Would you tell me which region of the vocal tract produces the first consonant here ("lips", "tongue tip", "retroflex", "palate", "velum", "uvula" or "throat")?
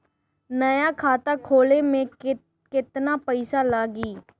tongue tip